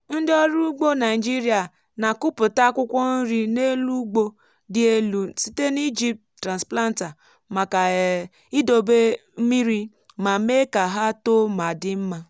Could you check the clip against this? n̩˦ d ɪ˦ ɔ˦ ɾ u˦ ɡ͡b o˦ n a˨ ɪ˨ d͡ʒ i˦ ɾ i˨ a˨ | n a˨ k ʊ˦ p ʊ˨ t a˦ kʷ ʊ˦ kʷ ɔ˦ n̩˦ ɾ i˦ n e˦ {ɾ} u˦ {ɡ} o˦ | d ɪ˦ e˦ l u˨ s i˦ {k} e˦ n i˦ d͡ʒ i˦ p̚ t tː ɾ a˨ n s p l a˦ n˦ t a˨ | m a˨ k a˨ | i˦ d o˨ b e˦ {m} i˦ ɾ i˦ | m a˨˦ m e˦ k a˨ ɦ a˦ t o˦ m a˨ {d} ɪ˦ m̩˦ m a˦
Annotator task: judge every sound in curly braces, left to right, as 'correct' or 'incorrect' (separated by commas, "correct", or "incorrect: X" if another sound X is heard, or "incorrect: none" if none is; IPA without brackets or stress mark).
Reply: incorrect: l, incorrect: ɡ͡b, incorrect: t, correct, correct